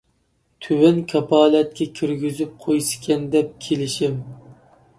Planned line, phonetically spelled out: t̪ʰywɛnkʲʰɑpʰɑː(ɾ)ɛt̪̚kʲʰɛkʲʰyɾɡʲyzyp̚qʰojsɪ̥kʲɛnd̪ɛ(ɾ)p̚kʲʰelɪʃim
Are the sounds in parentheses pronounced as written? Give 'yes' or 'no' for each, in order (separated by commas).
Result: no, no